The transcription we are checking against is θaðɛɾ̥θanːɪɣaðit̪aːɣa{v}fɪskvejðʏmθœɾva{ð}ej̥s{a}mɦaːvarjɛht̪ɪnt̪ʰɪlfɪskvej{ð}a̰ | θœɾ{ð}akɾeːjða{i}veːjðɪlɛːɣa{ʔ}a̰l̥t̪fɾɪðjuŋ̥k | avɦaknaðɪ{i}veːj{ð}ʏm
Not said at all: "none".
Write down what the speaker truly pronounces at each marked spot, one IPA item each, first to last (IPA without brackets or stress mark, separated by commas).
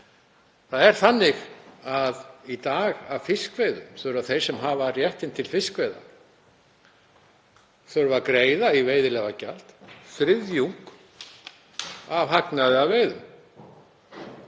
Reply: v, θ, ɛ, ð, v, i, c, a, ð